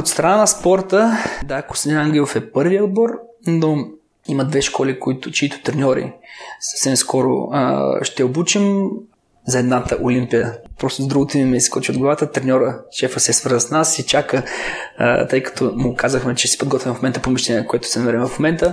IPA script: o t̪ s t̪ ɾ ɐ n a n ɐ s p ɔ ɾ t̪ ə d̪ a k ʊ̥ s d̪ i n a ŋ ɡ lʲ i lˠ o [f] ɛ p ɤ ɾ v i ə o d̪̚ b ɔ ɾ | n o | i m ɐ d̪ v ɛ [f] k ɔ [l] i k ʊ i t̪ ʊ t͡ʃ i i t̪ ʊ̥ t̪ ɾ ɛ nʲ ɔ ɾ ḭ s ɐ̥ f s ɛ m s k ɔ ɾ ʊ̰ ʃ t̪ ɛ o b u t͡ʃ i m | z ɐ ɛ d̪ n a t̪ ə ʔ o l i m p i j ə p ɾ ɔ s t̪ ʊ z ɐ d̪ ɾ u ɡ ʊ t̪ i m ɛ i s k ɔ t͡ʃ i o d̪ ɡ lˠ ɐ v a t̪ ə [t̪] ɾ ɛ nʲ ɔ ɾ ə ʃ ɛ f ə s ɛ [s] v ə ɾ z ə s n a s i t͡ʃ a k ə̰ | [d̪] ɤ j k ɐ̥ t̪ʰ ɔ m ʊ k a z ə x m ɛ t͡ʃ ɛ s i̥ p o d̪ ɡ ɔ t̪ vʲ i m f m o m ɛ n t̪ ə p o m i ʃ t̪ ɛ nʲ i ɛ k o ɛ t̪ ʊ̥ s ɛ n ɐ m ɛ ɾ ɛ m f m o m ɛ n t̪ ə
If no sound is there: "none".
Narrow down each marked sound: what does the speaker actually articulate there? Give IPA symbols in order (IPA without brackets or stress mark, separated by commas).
f, ʃ, l, t̪, s, t̪